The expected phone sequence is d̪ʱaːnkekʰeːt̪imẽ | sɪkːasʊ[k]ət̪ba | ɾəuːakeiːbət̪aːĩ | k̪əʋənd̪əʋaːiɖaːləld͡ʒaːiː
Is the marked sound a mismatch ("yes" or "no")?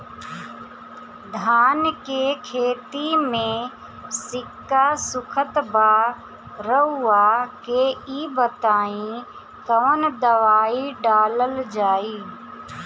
yes